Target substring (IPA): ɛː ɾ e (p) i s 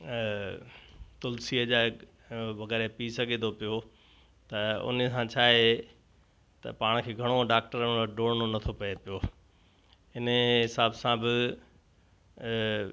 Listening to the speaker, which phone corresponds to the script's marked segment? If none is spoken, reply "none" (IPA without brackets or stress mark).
p